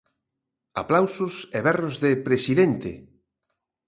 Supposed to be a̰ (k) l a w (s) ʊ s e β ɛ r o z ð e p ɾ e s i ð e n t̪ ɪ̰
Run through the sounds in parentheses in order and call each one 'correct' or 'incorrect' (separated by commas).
incorrect, correct